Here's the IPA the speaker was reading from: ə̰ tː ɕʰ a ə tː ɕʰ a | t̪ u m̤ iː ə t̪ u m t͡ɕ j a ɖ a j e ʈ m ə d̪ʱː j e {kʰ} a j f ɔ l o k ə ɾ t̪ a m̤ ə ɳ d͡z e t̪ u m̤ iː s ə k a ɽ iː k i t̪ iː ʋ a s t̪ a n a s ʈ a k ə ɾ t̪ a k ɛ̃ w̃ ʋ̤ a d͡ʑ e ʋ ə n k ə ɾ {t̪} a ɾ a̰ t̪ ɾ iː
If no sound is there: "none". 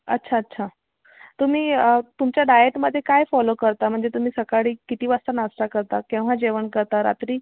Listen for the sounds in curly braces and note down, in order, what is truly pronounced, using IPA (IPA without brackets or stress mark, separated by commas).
k, t̪